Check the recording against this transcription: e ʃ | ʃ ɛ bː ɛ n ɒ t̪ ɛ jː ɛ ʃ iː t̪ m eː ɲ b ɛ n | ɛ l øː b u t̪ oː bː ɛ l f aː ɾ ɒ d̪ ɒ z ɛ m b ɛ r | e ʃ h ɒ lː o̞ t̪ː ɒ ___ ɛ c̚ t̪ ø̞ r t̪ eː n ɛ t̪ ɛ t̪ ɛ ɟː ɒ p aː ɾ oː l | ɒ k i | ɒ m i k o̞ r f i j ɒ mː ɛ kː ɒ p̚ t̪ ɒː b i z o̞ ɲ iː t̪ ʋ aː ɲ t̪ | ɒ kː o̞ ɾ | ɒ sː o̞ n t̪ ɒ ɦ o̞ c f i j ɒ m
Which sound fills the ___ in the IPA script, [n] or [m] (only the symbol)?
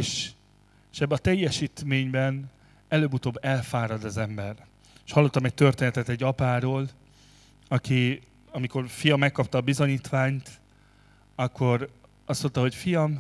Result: m